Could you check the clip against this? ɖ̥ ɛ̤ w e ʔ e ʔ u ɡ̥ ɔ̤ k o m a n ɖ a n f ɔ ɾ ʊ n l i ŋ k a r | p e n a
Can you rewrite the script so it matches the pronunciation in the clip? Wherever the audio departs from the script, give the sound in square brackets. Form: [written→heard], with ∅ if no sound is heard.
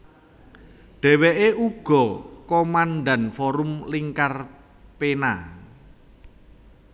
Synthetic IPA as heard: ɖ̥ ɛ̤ w e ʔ e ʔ u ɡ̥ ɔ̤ k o m a n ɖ a n f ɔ ɾ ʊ [n→m] l i ŋ k a r | p e n a